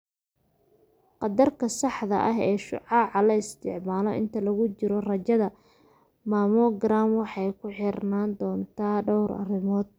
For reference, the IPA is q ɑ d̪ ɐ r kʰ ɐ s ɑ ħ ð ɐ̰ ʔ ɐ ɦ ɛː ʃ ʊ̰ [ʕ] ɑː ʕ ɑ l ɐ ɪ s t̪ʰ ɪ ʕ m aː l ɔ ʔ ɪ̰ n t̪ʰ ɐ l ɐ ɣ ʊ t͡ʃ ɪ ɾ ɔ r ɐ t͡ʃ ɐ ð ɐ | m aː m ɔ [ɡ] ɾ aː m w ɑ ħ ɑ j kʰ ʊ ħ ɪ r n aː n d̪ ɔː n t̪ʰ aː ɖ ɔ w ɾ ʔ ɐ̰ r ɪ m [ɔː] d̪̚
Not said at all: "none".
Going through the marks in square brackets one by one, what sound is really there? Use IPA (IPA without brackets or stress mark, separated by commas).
ʕ, ɡ, ɔː